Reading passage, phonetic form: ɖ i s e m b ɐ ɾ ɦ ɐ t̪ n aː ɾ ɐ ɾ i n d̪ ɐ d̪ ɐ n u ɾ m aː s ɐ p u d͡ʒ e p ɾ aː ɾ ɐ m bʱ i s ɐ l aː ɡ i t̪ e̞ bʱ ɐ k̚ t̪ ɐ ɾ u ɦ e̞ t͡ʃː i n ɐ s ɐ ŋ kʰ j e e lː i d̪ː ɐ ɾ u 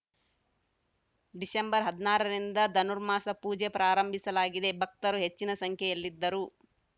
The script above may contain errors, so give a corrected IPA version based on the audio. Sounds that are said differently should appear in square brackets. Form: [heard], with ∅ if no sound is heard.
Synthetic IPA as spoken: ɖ i s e m b ɐ ɾ ɦ ɐ [d̪] n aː ɾ ɐ ɾ i n d̪ ɐ d̪ ɐ n u ɾ m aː s ɐ p [uː] d͡ʒ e p ɾ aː ɾ ɐ m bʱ i s ɐ l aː ɡ i [d̪] e̞ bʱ ɐ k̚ t̪ ɐ ɾ u ɦ e̞ t͡ʃː i n ɐ s ɐ ŋ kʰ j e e lː i d̪ː ɐ ɾ u

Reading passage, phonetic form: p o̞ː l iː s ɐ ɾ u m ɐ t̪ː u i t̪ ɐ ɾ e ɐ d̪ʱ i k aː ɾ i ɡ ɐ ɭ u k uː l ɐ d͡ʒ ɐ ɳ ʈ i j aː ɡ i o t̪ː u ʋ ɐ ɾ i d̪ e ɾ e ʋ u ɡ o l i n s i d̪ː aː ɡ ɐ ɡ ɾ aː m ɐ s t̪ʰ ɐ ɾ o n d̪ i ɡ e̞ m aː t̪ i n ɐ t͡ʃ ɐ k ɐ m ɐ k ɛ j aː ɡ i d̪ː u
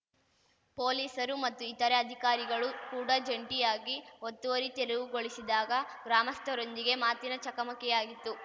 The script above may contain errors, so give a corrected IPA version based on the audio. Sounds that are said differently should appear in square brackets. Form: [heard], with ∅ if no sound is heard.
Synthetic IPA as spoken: p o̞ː l iː s ɐ ɾ u m ɐ t̪ː u i t̪ ɐ ɾ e ɐ d̪ʱ i k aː ɾ i ɡ ɐ ɭ u k uː [ɽ] ɐ d͡ʒ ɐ ɳ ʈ i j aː ɡ i o t̪ː u ʋ ɐ ɾ i [t̪] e ɾ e ʋ u ɡ o [ɭ] i [∅] s i [d̪] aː ɡ ɐ ɡ ɾ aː m ɐ s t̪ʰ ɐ ɾ o n d̪ i ɡ e̞ m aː t̪ i n ɐ t͡ʃ ɐ k ɐ m ɐ k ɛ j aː ɡ i [t̪ː] u

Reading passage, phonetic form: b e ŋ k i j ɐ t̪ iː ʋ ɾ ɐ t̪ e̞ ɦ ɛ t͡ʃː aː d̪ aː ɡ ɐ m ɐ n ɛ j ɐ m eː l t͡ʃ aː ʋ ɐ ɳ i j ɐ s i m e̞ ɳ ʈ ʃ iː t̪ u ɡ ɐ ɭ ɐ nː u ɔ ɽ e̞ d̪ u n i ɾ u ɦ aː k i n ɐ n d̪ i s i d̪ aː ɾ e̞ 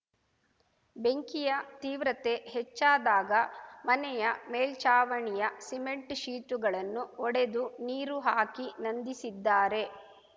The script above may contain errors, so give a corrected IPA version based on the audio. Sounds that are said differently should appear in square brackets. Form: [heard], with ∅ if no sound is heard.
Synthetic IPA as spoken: b e ŋ k i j ɐ t̪ iː ʋ ɾ ɐ t̪ e̞ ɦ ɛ t͡ʃː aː d̪ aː ɡ ɐ m ɐ n ɛ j ɐ m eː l t͡ʃ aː ʋ ɐ ɳ i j ɐ s i m e̞ ɳ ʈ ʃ iː t̪ u ɡ ɐ ɭ ɐ nː u ɔ ɽ e̞ d̪ u n [iː] ɾ u ɦ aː k i n ɐ n d̪ i s i [d̪ː] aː ɾ e̞

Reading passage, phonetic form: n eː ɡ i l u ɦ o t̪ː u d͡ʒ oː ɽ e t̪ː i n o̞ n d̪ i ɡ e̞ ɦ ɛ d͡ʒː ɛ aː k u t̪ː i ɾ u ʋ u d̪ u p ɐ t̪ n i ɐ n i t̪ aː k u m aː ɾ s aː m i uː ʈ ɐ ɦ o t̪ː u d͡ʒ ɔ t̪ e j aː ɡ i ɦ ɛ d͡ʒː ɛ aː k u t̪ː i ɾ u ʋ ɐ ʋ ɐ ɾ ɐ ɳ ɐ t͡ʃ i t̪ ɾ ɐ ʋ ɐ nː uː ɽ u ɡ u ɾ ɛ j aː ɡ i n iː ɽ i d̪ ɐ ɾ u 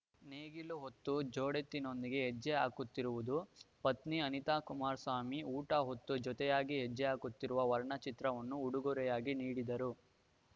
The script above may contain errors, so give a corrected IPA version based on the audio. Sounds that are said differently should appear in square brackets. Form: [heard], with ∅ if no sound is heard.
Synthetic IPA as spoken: n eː ɡ i l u ɦ o t̪ː u d͡ʒ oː ɽ e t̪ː i n o̞ n d̪ i ɡ e̞ ɦ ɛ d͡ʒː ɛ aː k u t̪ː i ɾ u ʋ u d̪ u p ɐ t̪ n i ɐ n i t̪ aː k u m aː ɾ s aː m i uː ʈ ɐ ɦ o t̪ː u d͡ʒ ɔ t̪ [ɛ] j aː ɡ i ɦ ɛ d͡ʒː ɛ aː k u t̪ː i ɾ u ʋ ɐ ʋ ɐ ɾ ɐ ɳ ɐ t͡ʃ i t̪ ɾ ɐ ʋ ɐ nː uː ɽ u ɡ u ɾ ɛ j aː ɡ i n iː ɽ i d̪ ɐ ɾ u

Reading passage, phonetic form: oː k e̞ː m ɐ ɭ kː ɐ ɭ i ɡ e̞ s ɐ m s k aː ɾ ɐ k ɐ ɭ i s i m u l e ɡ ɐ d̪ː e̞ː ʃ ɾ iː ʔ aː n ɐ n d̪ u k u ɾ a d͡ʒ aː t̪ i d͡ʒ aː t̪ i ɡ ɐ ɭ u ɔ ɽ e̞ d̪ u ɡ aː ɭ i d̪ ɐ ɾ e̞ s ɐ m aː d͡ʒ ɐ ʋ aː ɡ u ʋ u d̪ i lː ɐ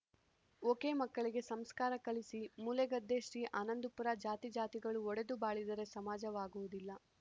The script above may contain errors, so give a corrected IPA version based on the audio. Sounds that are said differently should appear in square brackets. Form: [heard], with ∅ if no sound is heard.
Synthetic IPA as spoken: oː k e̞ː m ɐ [∅] kː ɐ ɭ i ɡ e̞ s ɐ m s k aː ɾ ɐ k ɐ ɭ i s i m u l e ɡ ɐ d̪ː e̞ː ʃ ɾ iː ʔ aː n ɐ n d̪ u [p] u ɾ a d͡ʒ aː t̪ i d͡ʒ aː t̪ i ɡ ɐ ɭ u ɔ ɽ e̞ d̪ u [b] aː ɭ i d̪ ɐ ɾ e̞ s ɐ m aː d͡ʒ ɐ ʋ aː ɡ u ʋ u d̪ i lː ɐ

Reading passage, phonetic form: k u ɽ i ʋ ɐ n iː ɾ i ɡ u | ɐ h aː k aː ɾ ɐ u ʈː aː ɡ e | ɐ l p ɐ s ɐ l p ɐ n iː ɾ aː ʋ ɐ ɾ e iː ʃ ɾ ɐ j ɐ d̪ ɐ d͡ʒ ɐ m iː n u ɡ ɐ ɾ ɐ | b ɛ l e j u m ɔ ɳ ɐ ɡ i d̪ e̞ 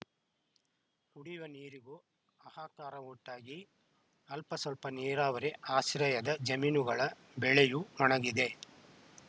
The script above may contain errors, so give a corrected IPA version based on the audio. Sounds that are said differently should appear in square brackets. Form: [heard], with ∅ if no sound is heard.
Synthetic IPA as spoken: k u ɽ i ʋ ɐ n iː ɾ i ɡ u | ɐ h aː k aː ɾ ɐ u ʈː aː ɡ [i] | ɐ l p ɐ s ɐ l p ɐ n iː ɾ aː ʋ ɐ ɾ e [aː] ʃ ɾ ɐ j ɐ d̪ ɐ d͡ʒ ɐ m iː n u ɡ ɐ [ɭ] ɐ | b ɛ [ɭ] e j u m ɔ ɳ ɐ ɡ i d̪ e̞

